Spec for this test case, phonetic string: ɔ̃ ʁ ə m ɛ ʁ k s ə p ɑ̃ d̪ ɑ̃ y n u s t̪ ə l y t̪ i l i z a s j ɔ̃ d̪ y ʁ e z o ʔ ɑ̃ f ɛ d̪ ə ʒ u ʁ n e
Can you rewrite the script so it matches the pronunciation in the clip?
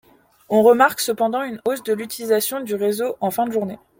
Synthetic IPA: ɔ̃ ʁ ə m a ʁ k s ə p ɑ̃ d̪ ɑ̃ y n o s d̪ ə l y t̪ i l i z a s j ɔ̃ d̪ y ʁ e z o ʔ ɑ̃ f ɛ̃ d̪ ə ʒ u ʁ n e